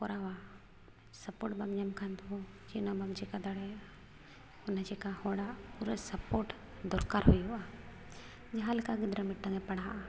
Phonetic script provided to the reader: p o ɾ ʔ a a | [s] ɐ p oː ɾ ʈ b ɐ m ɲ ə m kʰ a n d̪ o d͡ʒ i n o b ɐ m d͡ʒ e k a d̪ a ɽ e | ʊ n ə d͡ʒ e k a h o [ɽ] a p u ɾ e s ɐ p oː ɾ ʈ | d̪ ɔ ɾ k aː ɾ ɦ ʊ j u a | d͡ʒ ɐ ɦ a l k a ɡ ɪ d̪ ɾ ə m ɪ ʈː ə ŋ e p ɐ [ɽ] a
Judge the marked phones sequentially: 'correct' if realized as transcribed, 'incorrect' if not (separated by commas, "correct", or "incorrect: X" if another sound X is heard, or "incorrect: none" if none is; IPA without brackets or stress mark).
correct, correct, correct